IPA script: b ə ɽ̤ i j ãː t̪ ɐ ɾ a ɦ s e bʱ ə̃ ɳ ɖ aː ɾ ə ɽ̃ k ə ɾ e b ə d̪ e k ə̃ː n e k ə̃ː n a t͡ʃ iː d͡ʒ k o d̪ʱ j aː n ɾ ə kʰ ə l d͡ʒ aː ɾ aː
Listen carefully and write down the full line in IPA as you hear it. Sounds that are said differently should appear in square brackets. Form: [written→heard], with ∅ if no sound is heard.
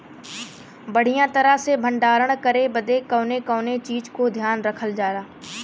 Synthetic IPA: b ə ɽ̤ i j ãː t̪ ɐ ɾ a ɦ s e bʱ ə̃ ɳ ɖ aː ɾ ə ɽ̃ k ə ɾ e b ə d̪ e k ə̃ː n e k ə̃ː n [a→e] t͡ʃ iː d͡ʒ k o d̪ʱ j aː n ɾ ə kʰ ə l d͡ʒ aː ɾ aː